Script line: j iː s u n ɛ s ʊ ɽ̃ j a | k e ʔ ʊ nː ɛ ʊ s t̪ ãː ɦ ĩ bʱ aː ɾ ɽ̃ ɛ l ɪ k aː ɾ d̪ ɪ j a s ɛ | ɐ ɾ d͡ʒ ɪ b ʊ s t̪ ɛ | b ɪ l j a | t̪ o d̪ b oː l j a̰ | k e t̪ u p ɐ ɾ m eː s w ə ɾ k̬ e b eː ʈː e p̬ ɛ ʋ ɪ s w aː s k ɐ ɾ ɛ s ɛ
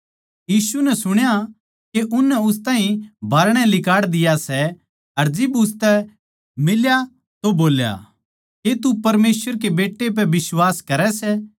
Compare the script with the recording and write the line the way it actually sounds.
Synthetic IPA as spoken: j iː s u n ɛ s ʊ ɽ̃ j a | k e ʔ ʊ nː ɛ ʊ s t̪ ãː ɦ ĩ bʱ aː ɾ ɽ̃ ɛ l ɪ k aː ɽ d̪ ɪ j a s ɛ | ɐ ɾ d͡ʒ ɪ b ʊ s t̪ ɛ | m ɪ l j a | t̪ o b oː l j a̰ | k e t̪ u p ɐ ɾ m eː s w ə ɾ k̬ e b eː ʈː e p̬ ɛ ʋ ɪ s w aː s k ɐ ɾ ɛ s ɛ

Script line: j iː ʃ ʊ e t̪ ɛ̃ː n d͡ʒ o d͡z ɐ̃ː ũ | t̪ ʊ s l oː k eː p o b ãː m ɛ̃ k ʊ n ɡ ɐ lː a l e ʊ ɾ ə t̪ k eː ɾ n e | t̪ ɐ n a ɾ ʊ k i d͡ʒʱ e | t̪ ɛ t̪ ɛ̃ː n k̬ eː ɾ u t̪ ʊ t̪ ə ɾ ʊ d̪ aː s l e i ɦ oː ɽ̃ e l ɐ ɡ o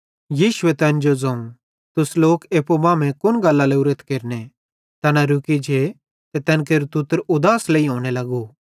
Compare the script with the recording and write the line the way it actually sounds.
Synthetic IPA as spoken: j iː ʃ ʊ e t̪ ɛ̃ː n d͡ʒ o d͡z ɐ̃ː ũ | t̪ ʊ s l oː k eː p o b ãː m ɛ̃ k ʊ n ɡ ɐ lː a l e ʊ ɾ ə t̪ k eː ɾ n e | t̪ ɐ n a ɾ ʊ k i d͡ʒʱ e | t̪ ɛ t̪ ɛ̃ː n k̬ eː ɾ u t̪ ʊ t̪ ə ɾ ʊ d̪ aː s l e i ɦ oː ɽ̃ e l ɐ ɡ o

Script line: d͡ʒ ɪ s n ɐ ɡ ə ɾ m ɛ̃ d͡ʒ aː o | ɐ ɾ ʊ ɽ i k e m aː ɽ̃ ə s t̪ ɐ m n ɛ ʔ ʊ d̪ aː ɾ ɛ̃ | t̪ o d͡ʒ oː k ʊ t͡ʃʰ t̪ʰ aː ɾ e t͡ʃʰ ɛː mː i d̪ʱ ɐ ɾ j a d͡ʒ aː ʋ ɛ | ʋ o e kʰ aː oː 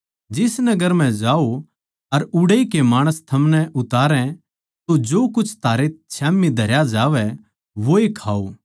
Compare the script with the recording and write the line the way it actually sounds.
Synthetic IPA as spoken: d͡ʒ ɪ s n ɐ ɡ ə ɾ m ɛ̃ d͡ʒ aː o | ɐ ɾ ʊ ɽ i k e m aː ɽ̃ ə s t̪ʰ ɐ m n ɛ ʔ ʊ t̪ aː ɾ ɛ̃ | t̪ o d͡ʒ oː k ʊ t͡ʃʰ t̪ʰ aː ɾ e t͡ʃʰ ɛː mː i d̪ʱ ɐ ɾ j a d͡ʒ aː ʋ ɛ | ʋ o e kʰ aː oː

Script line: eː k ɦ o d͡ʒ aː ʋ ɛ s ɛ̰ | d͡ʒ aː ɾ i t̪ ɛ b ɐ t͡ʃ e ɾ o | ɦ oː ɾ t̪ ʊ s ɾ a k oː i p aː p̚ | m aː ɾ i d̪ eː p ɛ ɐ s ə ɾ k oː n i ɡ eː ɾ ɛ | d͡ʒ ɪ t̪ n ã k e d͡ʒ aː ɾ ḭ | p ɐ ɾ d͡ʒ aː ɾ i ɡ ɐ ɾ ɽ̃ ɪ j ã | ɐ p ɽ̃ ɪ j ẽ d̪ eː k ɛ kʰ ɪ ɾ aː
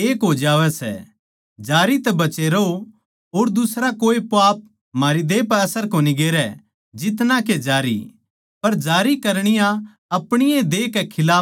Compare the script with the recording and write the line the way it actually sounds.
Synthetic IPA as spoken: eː k ɦ o d͡ʒ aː ʋ ɛ s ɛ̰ | d͡ʒ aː ɾ i t̪ ɛ b ɐ t͡ʃ e ɾ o | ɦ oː ɾ d̪ ʊ s ɾ a k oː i p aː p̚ | m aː ɾ i d̪ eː p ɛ ɐ s ə ɾ k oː n i ɡ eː ɾ ɛ | d͡ʒ ɪ t̪ n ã k e d͡ʒ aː ɾ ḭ | p ɐ ɾ d͡ʒ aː ɾ i k ɐ ɾ ɽ̃ ɪ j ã | ɐ p ɽ̃ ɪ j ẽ d̪ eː k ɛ kʰ ɪ l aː

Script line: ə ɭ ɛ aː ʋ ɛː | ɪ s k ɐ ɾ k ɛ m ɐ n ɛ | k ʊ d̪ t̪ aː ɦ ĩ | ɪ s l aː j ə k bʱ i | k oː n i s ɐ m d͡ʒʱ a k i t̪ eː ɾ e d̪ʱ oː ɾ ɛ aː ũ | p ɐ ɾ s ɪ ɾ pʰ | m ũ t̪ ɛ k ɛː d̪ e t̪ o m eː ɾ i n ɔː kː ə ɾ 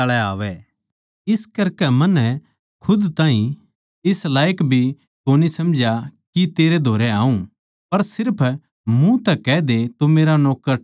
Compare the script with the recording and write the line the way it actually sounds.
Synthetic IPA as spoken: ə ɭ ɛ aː ʋ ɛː | ɪ s k ɐ ɾ k ɛ m ɐ n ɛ | kʰ ʊ d̪ t̪ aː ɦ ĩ | ɪ s l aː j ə k bʱ i | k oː n i s ɐ m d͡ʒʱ a k i t̪ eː ɾ e d̪ʱ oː ɾ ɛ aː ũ | p ɐ ɾ s ɪ ɾ pʰ | m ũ t̪ ɛ k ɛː d̪ e t̪ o m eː ɾ a n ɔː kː ə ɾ

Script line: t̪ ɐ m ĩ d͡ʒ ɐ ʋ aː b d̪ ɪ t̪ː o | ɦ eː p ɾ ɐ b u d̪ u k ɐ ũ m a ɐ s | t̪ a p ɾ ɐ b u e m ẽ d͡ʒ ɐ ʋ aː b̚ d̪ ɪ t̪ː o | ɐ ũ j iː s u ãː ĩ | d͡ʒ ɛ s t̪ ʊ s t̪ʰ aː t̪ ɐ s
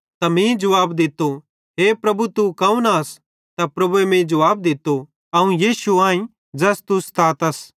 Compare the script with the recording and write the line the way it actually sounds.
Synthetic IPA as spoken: t̪ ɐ m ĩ d͡ʒ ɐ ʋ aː b d̪ ɪ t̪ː o | ɦ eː p ɾ ɐ b u t̪ u k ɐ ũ n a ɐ s | t̪ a p ɾ ɐ b u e m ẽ d͡ʒ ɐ ʋ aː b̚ d̪ ɪ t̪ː o | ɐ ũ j iː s u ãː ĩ | d͡ʒ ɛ s t̪ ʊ s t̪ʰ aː t̪ ɐ s

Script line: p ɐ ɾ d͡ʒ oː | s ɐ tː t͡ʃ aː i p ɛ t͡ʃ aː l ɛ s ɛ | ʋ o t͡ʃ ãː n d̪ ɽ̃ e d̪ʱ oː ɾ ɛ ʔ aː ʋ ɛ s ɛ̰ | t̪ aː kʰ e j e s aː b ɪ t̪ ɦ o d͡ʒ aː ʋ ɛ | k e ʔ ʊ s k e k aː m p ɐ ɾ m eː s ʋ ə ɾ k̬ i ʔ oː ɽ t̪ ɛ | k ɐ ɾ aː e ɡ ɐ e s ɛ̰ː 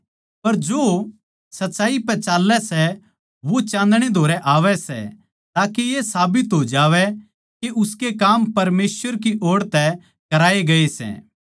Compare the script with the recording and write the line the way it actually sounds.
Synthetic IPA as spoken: p ɐ ɾ d͡ʒ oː | s ɐ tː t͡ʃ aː i p ɛ t͡ʃ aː l ɛ s ɛ | ʋ o t͡ʃ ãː n d̪ ɽ̃ e d̪ʱ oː ɾ ɛ ʔ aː ʋ ɛ s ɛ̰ | t̪ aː k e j e s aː b ɪ t̪ ɦ o d͡ʒ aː ʋ ɛ | k e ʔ ʊ s k e k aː m p ɐ ɾ m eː s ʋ ə ɾ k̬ i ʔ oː ɽ t̪ ɛ | k ɐ ɾ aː e ɡ ɐ e s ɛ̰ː

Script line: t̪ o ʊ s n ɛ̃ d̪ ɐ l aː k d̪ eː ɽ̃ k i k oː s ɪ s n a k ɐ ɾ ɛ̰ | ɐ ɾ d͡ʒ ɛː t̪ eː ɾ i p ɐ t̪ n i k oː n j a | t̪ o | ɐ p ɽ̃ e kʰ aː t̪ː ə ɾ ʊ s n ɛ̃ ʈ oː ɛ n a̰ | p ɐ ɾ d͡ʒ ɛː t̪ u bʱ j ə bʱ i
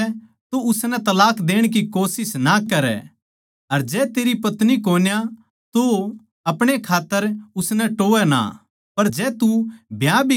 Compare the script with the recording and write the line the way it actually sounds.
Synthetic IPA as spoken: t̪ o ʊ s n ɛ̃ t̪ ɐ l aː k d̪ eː ɽ̃ k i k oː s ɪ s n a k ɐ ɾ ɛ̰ | ɐ ɾ d͡ʒ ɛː t̪ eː ɾ i p ɐ t̪ n i k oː n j a | t̪ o | ɐ p ɽ̃ e kʰ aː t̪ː ə ɾ ʊ s n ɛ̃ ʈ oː ɛ n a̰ | p ɐ ɾ d͡ʒ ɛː t̪ u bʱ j a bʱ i

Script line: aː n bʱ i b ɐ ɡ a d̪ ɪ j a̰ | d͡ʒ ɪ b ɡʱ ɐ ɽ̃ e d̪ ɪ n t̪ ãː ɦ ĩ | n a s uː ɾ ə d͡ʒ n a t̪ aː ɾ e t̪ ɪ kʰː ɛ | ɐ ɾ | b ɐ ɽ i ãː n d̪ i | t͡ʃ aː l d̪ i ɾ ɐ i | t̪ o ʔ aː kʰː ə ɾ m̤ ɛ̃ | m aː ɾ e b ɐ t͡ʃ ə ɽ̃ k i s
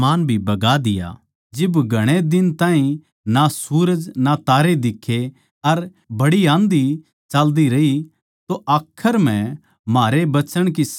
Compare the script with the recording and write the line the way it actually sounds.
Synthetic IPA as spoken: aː n bʱ i b ɐ ɡ a d̪ ɪ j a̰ | d͡ʒ ɪ b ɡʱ ɐ ɽ̃ e d̪ ɪ n t̪ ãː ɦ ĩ | n a s uː ɾ ə d͡ʒ n a t̪ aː ɾ e d̪ ɪ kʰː e | ɐ ɾ | b ɐ ɽ i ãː n d̪ i | t͡ʃ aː l d̪ i ɾ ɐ i | t̪ o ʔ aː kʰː ə ɾ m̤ ɛ̃ | m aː ɾ e b ɐ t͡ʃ ə ɽ̃ k i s

